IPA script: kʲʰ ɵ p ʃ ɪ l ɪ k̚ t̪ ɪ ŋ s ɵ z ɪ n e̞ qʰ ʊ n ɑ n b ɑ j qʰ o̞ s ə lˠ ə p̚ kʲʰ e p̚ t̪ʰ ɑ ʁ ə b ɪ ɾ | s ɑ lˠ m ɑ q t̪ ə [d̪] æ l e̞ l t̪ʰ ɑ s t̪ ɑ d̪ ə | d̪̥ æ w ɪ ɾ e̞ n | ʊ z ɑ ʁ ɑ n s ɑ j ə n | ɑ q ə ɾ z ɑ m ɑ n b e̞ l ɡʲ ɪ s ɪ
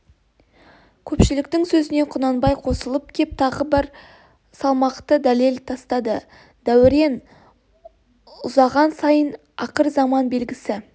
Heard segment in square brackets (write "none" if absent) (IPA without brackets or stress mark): d̪